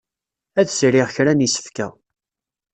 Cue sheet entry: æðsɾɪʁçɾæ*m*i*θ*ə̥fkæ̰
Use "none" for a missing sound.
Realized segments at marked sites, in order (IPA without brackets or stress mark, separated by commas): n, s